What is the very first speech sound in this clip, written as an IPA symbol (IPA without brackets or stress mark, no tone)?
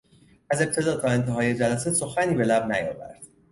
æ